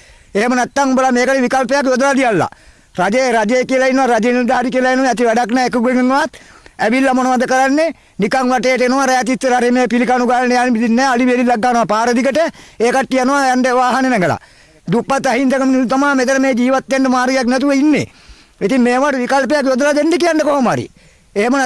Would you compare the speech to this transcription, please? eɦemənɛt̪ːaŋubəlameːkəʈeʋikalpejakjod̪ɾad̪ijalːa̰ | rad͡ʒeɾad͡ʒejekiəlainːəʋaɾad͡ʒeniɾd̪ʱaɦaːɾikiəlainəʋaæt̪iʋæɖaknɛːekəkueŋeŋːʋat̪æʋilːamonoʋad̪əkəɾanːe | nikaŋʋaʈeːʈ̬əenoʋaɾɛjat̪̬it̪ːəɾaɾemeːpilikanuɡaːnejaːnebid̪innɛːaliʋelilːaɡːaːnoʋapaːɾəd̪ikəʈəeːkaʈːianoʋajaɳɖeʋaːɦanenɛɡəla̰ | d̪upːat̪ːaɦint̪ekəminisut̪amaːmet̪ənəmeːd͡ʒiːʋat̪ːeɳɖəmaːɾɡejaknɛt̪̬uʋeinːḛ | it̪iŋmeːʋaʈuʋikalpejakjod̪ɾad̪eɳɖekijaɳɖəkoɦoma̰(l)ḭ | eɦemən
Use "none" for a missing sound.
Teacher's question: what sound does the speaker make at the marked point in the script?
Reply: ɾ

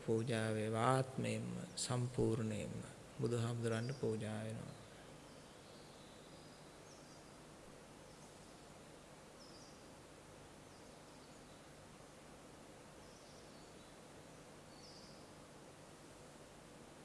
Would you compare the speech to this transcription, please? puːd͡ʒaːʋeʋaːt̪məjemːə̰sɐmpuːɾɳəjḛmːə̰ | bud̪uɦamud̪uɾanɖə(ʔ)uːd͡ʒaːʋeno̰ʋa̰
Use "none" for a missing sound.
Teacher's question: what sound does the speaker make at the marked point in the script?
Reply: p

